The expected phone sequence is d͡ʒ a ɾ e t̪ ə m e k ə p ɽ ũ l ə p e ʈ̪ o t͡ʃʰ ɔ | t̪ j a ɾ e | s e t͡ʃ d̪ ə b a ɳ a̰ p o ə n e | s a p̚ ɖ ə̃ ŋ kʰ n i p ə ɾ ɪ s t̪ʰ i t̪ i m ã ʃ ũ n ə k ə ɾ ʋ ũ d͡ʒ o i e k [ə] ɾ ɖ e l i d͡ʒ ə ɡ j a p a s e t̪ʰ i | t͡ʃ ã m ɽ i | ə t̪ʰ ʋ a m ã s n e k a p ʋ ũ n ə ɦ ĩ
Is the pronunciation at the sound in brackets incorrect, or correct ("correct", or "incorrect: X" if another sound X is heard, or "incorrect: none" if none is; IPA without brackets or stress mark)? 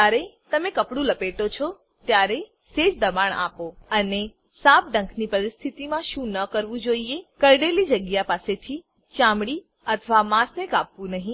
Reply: correct